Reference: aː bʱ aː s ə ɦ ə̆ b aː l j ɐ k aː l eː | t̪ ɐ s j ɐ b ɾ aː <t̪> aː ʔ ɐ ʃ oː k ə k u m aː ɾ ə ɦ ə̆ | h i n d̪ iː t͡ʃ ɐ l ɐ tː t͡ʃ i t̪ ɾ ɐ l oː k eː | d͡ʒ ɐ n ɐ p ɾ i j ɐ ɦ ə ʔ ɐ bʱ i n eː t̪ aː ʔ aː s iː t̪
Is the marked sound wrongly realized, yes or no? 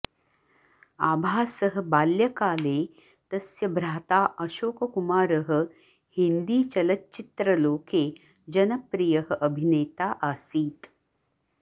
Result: no